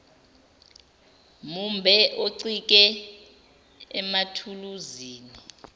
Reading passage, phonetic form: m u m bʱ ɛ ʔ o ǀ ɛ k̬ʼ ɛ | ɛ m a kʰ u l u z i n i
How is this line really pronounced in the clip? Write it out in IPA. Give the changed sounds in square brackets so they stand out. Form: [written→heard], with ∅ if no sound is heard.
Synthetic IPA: m u m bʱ ɛ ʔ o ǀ [ɛ→i] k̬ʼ ɛ | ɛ m a [kʰ→tʰ] u l u z [i→iː] n i